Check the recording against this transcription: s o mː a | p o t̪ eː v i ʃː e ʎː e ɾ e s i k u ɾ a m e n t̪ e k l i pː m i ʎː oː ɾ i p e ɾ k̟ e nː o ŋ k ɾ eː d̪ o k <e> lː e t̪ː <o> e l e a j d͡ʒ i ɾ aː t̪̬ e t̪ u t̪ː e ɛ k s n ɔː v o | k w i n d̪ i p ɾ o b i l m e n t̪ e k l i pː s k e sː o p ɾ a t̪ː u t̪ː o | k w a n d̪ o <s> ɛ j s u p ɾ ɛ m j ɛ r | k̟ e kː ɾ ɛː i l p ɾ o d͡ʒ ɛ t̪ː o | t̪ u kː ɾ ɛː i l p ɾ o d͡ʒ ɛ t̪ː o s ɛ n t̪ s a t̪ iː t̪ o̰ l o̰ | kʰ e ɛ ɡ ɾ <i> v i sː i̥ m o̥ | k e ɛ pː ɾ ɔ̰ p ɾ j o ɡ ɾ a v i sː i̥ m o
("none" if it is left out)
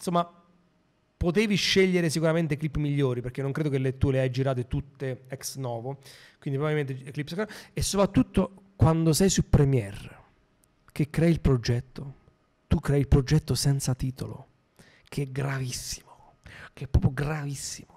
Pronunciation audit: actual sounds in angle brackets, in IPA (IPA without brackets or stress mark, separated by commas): e, u, s, a